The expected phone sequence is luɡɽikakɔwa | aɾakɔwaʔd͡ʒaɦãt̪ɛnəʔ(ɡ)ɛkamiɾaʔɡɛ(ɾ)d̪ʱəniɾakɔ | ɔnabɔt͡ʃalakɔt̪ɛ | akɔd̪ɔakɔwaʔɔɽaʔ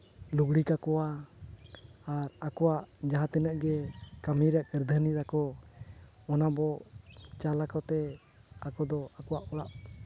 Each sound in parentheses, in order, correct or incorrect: correct, correct

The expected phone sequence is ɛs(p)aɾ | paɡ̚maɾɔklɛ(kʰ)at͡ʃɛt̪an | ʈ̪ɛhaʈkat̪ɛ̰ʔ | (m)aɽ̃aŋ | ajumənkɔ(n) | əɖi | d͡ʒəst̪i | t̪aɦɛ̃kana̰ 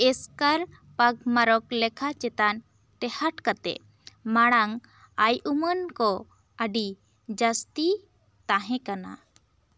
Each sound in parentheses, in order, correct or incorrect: incorrect: k, correct, correct, incorrect: none

